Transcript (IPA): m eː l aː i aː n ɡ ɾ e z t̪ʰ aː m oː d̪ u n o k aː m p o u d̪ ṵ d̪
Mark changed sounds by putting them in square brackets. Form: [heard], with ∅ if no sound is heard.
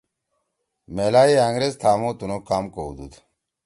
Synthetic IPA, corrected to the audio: m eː l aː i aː [ŋ] ɡ ɾ e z t̪ʰ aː m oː [t̪] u n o k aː m [k] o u d̪ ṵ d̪